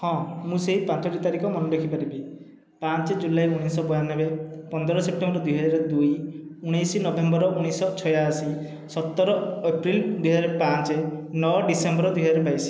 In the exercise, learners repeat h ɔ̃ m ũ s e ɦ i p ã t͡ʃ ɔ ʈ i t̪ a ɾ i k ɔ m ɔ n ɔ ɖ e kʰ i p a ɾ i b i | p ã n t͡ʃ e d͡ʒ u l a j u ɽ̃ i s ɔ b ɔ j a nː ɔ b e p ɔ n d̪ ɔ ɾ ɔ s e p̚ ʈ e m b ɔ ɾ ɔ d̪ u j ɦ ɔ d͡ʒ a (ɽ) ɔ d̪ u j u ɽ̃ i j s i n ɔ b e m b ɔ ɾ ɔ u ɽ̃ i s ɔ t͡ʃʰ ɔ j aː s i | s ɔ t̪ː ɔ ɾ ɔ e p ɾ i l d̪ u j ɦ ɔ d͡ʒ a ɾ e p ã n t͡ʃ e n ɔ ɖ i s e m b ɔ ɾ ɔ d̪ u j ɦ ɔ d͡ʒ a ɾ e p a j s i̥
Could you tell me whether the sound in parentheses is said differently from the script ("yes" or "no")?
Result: yes